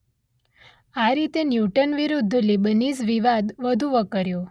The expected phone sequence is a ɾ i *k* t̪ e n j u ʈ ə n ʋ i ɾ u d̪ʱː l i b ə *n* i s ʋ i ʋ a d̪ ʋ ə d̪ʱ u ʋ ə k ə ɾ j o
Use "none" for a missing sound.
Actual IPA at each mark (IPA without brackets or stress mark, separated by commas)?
none, n